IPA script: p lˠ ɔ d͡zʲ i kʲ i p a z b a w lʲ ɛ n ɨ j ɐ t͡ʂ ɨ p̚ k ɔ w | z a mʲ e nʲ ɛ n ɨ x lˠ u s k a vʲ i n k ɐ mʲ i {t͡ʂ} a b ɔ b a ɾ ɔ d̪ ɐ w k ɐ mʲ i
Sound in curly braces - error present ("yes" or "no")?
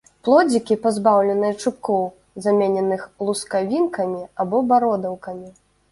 yes